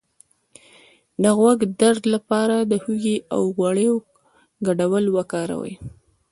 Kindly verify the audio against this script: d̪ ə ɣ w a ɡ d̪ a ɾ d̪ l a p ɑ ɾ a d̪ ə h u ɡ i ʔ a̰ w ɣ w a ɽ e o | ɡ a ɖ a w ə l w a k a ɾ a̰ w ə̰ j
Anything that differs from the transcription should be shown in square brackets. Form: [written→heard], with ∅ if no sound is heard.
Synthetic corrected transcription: d̪ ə ɣ w a ɡ d̪ a ɾ d̪ l a p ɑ ɾ a d̪ ə h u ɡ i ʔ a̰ w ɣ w a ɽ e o | ɡ a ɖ a w ə l w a k [a→ɑ] ɾ a̰ w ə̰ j